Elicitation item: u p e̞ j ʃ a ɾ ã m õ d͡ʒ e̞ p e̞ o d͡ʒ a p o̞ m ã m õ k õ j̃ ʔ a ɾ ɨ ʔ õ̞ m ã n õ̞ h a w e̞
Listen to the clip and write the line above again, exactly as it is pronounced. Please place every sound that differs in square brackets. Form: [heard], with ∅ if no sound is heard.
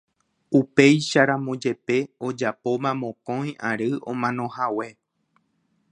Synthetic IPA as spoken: u p e̞ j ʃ a ɾ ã m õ d͡ʒ e̞ p e̞ o d͡ʒ a p o̞ m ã m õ k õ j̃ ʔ a ɾ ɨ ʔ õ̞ m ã n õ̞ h a w e̞